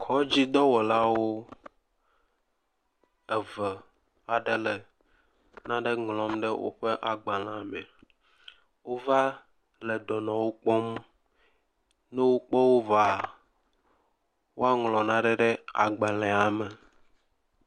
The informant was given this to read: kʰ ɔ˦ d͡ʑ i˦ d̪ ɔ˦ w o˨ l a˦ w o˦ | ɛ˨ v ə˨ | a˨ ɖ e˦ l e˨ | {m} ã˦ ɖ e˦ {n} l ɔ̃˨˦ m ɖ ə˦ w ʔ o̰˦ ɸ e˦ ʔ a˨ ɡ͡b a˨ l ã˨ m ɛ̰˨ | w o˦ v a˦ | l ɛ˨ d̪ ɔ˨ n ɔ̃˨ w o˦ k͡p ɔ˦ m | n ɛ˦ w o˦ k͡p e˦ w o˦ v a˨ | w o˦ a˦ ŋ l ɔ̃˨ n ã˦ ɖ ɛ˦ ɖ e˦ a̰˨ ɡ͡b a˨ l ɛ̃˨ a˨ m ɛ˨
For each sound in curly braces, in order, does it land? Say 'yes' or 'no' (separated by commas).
no, no